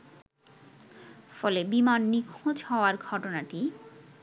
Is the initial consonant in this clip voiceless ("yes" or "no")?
yes